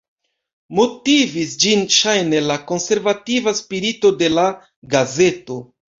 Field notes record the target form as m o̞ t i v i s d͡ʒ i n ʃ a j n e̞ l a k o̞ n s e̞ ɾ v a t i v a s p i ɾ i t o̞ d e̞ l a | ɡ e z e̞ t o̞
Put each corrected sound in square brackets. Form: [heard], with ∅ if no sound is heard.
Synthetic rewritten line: m o̞ t i v i s d͡ʒ i n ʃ a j n e̞ l a k o̞ n s e̞ ɾ v a t i v a s p i ɾ i t o̞ d e̞ l a | ɡ [a] z e̞ t o̞